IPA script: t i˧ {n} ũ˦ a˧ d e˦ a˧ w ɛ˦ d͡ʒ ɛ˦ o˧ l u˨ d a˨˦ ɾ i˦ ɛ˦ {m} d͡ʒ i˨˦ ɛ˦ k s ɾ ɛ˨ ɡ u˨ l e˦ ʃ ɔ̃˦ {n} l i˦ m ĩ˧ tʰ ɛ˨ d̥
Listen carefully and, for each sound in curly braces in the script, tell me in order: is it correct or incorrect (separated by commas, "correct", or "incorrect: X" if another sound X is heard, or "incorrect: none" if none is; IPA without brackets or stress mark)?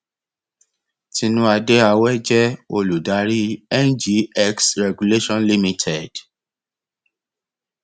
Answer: correct, incorrect: n, correct